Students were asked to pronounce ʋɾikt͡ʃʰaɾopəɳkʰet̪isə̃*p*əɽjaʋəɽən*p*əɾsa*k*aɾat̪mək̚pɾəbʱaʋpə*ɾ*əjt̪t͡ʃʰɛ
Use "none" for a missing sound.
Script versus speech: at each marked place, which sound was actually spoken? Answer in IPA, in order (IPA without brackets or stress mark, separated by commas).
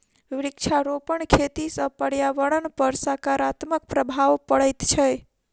p, p, k, ɽ